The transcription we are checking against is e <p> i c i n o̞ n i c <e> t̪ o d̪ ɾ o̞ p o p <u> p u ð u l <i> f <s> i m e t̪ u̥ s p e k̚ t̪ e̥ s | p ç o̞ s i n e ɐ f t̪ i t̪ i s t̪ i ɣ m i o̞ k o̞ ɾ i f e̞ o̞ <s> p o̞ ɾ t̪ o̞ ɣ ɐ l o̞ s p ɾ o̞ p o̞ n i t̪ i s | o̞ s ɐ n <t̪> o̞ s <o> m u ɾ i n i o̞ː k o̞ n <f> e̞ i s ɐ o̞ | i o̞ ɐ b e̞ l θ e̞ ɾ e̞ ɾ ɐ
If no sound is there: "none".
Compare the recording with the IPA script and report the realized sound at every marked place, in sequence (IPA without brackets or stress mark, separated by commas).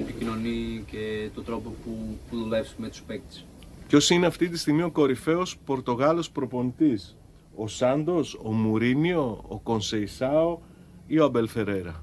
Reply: p, e, u, e, s, s, d̪, o, s